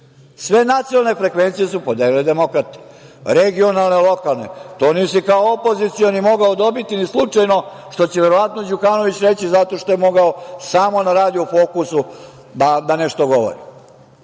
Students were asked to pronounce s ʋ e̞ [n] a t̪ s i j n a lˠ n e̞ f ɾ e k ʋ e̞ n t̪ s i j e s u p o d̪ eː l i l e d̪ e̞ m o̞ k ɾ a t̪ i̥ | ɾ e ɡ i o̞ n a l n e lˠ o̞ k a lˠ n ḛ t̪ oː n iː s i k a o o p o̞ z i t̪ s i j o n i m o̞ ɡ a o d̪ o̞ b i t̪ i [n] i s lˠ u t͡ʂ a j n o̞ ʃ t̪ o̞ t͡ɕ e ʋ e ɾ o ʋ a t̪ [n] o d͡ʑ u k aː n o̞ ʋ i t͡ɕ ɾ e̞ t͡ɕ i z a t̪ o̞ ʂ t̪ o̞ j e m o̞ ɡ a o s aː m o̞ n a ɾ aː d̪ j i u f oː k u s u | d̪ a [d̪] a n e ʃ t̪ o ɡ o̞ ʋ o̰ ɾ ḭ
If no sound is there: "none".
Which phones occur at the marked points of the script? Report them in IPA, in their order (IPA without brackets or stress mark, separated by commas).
n, n, n, d̪